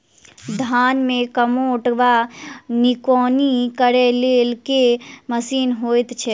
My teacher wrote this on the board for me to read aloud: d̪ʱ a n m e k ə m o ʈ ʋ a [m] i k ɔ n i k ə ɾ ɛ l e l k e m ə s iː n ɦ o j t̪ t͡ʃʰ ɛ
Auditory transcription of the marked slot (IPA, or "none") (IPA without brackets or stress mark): n